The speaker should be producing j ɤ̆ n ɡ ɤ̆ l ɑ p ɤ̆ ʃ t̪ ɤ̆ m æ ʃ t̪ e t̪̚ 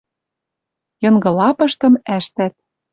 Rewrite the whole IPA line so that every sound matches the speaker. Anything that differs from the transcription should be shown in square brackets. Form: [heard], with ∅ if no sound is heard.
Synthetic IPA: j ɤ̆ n ɡ ɤ̆ l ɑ p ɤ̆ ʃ t̪ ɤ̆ m æ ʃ t̪ [æ] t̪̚